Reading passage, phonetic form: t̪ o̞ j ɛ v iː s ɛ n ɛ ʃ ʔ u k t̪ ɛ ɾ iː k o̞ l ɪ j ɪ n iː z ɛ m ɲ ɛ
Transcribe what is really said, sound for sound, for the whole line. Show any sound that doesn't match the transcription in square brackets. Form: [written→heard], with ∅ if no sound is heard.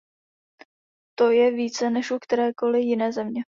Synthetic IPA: t̪ o̞ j ɛ v iː [s→t͡s] ɛ n ɛ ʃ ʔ u k t̪ ɛ ɾ [iː→ɛː] k o̞ l ɪ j ɪ n [iː→ɛː] z ɛ m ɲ ɛ